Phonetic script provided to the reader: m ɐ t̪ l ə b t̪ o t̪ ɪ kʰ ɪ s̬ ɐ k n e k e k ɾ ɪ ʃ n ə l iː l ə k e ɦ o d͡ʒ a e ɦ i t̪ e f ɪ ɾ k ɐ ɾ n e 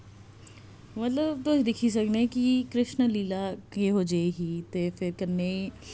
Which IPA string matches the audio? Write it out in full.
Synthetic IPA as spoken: m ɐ t̪ l ə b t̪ o d̪ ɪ kʰ i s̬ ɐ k n e k i k ɾ ɪ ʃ n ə l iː l a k e ɦ o d͡ʒ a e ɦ i t̪ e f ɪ ɾ k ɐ ɾ n e